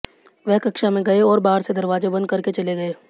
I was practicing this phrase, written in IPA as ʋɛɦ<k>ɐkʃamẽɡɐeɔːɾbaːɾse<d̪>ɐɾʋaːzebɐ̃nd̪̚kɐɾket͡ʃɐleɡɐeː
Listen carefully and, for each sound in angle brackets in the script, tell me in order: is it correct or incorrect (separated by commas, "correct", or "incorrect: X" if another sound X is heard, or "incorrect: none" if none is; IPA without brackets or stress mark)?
correct, correct